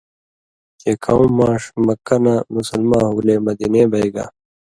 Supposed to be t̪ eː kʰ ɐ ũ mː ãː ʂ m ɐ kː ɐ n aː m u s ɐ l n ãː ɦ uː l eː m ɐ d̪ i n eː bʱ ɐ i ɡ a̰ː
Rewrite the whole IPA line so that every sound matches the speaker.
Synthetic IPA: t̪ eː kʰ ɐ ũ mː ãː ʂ m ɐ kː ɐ n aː m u s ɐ l m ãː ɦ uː l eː m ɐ d̪ i n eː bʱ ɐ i ɡ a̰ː